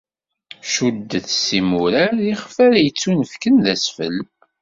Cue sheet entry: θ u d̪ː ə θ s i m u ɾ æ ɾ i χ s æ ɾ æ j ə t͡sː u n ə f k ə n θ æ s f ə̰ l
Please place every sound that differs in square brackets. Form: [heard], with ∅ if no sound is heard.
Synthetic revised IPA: [ʃ] u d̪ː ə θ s i m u ɾ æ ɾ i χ [f] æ ɾ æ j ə t͡sː u n ə f k ə n [ð] æ s f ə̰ l